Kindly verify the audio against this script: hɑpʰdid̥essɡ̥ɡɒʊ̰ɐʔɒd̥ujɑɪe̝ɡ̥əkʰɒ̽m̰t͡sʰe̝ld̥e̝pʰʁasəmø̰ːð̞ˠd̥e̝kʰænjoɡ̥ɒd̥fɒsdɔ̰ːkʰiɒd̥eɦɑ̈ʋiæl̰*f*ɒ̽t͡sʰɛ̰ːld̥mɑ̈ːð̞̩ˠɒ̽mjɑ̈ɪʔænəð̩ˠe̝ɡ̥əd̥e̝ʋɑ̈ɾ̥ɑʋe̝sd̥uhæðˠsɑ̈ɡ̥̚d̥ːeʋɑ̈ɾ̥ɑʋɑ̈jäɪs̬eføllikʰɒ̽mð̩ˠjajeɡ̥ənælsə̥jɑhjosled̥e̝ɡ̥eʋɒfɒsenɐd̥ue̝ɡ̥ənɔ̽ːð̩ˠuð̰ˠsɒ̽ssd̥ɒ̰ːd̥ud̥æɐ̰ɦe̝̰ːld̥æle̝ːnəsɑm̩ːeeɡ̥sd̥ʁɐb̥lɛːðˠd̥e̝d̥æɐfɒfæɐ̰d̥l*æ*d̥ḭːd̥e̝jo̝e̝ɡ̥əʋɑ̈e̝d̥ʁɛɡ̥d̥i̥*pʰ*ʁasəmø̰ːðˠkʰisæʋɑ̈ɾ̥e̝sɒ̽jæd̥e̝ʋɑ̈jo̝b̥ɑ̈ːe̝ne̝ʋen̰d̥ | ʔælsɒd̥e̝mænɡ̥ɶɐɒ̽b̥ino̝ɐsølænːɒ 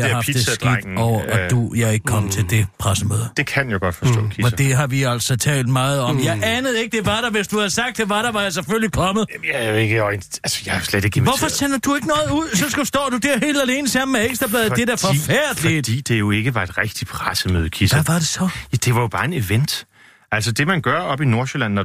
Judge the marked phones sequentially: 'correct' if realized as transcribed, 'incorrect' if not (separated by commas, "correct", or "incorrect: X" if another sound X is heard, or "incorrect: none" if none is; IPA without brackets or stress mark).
incorrect: s, incorrect: i, correct